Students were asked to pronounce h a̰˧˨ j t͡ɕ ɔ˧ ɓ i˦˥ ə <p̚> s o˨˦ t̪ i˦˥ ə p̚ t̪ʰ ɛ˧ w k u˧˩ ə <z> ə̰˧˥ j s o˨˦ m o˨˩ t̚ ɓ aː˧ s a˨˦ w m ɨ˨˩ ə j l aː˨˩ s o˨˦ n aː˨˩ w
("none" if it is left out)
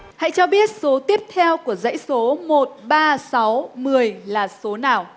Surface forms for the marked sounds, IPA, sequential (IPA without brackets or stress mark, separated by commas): t̚, z